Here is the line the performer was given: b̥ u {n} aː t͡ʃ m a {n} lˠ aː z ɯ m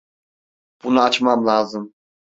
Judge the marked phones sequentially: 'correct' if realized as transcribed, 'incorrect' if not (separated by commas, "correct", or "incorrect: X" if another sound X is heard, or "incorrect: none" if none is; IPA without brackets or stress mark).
correct, incorrect: m